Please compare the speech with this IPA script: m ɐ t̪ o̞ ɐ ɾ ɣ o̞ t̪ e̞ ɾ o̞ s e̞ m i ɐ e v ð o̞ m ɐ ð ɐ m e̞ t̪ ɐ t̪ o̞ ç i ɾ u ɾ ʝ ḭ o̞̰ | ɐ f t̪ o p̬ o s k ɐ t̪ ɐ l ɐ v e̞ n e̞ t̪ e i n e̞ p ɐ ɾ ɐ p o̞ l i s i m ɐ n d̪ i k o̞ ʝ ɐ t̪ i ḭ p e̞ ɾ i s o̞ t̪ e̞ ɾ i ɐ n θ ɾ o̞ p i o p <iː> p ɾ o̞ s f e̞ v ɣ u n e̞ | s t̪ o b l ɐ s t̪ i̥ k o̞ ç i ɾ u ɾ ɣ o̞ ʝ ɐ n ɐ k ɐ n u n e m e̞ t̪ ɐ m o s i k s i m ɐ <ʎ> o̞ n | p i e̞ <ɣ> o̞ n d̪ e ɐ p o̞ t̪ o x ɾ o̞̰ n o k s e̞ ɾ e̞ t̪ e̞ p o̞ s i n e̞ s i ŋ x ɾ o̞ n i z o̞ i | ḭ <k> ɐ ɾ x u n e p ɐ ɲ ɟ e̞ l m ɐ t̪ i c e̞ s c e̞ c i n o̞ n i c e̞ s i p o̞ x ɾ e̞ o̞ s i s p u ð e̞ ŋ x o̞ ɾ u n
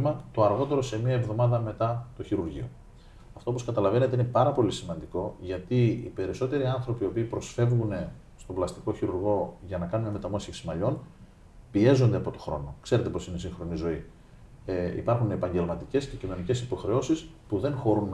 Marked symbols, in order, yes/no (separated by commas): yes, yes, no, no